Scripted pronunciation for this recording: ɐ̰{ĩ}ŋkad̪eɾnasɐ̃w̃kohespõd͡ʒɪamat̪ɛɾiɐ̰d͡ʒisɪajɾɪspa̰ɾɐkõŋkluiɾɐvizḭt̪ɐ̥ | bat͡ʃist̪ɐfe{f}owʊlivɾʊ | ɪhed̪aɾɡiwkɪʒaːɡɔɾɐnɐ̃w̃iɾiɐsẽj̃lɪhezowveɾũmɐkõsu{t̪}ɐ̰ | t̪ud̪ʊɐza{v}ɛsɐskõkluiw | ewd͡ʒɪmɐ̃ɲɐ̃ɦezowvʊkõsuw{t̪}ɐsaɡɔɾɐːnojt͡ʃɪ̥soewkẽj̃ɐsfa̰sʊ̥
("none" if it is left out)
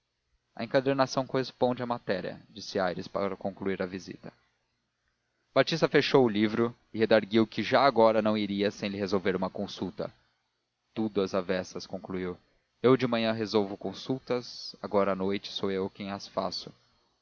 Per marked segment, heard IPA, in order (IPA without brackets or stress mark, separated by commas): ẽ, ʃ, t̪, v, t̪